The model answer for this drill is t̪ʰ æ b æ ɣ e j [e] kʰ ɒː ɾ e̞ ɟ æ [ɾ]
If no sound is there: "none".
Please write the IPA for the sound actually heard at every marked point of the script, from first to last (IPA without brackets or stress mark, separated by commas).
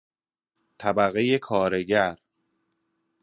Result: e, ɾ